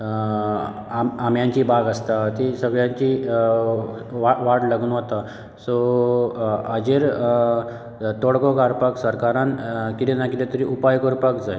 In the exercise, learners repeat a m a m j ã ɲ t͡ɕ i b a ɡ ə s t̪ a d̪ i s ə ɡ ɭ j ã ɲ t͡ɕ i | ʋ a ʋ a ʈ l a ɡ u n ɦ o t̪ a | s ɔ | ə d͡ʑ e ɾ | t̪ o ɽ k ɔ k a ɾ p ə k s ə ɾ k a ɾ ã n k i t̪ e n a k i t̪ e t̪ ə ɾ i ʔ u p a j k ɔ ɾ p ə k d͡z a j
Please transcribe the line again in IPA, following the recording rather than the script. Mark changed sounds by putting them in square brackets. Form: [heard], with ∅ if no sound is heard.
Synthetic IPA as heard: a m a m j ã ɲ t͡ɕ i b a ɡ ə s t̪ a [t̪] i s ə ɡ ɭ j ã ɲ t͡ɕ i | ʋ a ʋ a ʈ l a ɡ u n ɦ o t̪ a | s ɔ | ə d͡ʑ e ɾ | t̪ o ɽ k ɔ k a ɾ p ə k s ə ɾ k a ɾ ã n k i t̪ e n a k i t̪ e t̪ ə ɾ i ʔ u p a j k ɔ ɾ p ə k d͡z a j